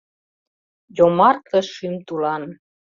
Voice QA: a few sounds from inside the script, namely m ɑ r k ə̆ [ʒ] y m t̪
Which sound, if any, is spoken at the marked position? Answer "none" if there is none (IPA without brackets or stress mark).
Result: ʃ